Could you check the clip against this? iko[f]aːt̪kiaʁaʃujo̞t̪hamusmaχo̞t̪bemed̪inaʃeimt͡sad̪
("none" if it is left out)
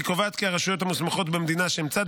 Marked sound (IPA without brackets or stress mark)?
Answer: v